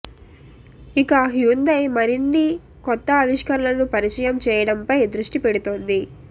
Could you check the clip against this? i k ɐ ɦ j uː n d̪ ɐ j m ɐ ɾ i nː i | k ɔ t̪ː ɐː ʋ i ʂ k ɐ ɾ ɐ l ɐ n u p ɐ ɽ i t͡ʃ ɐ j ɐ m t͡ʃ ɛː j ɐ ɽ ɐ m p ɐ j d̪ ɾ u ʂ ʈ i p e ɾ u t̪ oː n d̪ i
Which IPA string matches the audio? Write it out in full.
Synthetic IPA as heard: i k ɐ ɦ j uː n d̪ ɐ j m ɐ ɾ i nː i | k ɔ t̪ː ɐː ʋ i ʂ k ɐ ɾ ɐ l ɐ n u p ɐ ɾ i t͡ʃ ɐ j ɐ m t͡ʃ ɛː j ɐ ɽ ɐ m p ɐ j d̪ ɾ u ʂ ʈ i p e ɽ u t̪ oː n d̪ i